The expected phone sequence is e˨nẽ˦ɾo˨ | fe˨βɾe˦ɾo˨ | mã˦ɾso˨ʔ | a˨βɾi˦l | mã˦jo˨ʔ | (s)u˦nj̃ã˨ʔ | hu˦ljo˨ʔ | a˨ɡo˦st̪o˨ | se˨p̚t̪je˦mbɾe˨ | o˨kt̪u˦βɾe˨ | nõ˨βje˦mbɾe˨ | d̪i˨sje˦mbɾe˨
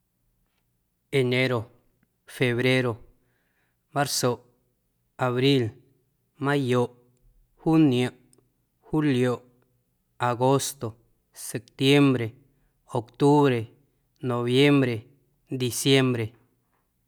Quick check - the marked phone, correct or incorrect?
incorrect: h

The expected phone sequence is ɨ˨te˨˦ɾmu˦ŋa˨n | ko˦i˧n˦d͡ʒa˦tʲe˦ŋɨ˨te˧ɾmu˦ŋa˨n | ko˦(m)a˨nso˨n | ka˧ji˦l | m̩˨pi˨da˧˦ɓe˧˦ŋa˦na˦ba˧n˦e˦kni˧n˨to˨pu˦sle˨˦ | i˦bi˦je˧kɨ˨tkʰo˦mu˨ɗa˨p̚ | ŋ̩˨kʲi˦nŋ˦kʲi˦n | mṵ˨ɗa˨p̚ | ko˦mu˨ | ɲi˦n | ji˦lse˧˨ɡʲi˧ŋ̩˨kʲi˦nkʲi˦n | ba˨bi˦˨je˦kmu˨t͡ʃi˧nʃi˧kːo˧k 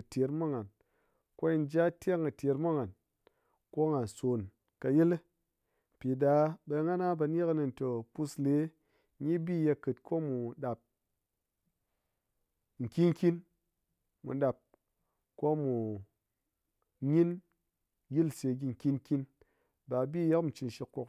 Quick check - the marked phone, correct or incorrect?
incorrect: ŋ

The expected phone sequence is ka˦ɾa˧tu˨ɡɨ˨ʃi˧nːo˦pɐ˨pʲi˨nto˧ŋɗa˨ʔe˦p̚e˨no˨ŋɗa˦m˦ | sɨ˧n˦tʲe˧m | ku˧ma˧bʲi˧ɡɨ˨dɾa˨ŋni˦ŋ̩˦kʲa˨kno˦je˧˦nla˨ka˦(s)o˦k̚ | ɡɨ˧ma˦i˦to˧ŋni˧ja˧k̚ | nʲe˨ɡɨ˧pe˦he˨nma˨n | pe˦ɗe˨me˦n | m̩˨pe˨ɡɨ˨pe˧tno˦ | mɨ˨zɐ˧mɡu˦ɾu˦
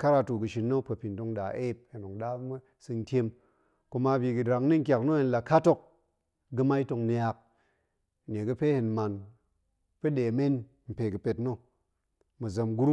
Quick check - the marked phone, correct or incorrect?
incorrect: t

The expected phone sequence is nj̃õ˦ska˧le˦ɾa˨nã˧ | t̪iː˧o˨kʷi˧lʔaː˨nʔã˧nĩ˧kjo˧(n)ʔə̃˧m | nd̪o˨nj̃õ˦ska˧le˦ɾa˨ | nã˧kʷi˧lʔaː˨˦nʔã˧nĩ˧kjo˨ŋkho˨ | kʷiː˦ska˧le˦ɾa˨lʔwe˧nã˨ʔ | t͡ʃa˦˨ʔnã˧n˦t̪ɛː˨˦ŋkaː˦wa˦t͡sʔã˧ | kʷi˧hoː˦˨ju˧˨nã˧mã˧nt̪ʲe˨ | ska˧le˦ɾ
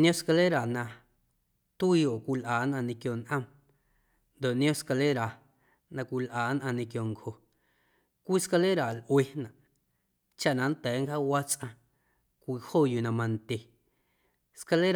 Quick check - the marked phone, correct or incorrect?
correct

